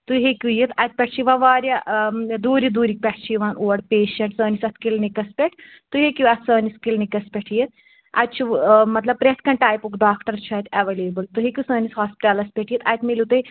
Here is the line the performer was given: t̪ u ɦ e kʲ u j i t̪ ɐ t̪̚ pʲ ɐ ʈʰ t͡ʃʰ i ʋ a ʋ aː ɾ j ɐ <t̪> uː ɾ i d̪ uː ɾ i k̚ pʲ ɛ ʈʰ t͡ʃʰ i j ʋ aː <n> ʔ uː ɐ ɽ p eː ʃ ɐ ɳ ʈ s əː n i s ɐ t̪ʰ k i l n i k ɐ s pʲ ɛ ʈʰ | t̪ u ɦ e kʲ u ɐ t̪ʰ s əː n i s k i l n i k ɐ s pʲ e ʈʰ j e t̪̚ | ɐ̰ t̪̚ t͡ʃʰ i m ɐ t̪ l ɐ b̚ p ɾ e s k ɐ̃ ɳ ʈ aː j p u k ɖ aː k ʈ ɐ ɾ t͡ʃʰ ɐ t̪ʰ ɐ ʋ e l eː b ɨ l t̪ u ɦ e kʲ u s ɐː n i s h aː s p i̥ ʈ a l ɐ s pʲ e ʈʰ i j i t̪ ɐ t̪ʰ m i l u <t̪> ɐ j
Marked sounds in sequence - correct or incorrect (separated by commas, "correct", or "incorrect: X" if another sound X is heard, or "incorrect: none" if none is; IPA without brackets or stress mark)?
incorrect: d̪, correct, correct